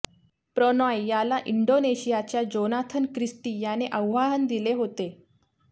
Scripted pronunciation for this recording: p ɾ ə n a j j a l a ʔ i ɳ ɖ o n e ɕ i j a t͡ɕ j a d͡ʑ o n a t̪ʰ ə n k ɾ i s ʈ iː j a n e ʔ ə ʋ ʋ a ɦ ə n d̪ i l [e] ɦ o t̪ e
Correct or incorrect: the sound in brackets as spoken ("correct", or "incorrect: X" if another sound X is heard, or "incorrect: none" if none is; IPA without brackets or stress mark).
correct